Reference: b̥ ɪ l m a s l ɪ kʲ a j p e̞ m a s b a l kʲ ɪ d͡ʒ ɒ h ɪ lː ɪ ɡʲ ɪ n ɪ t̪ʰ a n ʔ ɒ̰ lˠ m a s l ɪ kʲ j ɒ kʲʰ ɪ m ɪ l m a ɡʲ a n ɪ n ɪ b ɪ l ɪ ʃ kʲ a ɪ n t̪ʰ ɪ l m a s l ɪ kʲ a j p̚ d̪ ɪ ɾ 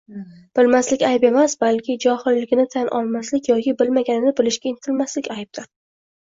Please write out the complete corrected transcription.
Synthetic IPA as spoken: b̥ ɪ l m a s l ɪ kʲ a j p e̞ m a s b a l kʲ ɪ d͡ʒ ɒ h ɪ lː ɪ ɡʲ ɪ n ɪ t̪ʰ a n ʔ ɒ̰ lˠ m a s l ɪ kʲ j ɒ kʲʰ ɪ b ɪ l m a ɡʲ a n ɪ n ɪ b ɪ l ɪ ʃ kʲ a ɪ n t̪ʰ ɪ l m a s l ɪ kʲ a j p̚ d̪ ɪ ɾ